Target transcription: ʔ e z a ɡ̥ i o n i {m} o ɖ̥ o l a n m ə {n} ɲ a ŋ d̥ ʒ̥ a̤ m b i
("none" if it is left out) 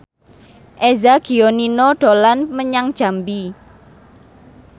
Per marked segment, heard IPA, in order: n, none

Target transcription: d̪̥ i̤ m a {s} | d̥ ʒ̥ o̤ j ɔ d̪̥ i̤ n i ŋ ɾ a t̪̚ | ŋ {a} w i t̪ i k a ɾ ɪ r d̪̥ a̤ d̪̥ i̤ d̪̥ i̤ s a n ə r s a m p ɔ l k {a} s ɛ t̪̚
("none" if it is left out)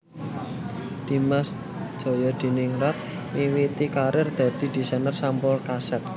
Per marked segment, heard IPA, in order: s, i, a

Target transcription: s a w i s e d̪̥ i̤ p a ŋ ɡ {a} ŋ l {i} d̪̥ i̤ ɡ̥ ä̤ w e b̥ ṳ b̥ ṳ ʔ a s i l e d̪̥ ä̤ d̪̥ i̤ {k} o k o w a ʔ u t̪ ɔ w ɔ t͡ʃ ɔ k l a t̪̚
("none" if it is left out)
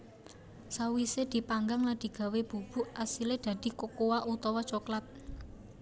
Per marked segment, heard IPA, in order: a, a, k

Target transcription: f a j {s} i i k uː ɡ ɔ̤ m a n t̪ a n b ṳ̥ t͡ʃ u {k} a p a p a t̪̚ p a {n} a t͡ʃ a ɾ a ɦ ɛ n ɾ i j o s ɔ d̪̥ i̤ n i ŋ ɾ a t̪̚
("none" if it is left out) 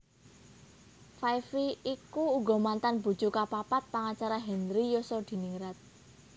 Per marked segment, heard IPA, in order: f, k, ŋ

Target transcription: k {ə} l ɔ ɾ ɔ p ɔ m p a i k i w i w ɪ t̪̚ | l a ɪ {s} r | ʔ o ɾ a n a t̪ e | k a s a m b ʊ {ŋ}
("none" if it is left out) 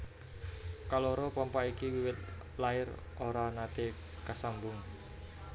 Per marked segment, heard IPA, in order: a, none, ŋ

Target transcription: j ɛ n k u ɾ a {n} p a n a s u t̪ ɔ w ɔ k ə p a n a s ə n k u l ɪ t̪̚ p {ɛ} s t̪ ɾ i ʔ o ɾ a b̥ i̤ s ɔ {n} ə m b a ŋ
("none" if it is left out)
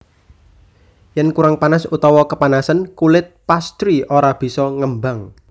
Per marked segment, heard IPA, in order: ŋ, a, ŋ

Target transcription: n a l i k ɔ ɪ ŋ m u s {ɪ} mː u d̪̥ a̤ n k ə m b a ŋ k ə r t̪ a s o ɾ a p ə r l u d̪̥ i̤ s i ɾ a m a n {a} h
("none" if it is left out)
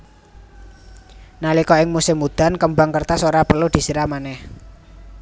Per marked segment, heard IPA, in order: ɪ, ɛ

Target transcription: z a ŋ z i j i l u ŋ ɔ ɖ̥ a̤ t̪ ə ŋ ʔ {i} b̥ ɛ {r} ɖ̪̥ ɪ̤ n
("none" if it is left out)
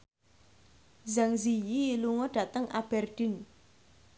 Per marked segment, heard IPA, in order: a, r

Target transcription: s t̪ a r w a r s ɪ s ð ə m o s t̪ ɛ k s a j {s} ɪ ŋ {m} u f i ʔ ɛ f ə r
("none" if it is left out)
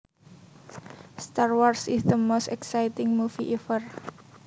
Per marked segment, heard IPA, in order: t, m

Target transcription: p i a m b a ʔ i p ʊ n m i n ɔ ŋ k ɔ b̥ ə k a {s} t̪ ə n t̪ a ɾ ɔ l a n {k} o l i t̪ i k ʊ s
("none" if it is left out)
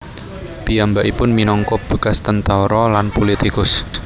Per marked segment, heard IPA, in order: s, p

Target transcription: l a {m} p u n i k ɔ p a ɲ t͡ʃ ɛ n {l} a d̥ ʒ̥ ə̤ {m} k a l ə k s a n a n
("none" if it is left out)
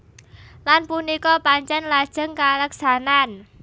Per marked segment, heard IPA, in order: n, l, ŋ

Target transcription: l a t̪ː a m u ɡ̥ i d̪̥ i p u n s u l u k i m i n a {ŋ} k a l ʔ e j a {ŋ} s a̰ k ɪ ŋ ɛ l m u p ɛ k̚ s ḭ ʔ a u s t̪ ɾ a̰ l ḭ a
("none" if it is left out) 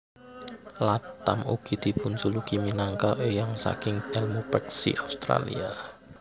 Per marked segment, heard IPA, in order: ŋ, ŋ

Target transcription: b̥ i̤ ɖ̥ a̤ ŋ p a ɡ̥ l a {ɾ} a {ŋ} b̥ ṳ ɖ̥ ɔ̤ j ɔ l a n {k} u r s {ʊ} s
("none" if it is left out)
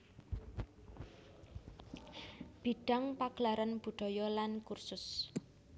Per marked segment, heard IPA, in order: ɾ, n, k, ʊ

